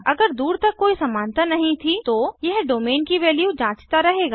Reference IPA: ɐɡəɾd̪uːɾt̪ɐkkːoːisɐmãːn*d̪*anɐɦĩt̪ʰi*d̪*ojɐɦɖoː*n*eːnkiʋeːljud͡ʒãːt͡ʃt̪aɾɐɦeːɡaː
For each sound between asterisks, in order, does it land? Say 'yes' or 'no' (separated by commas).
no, no, no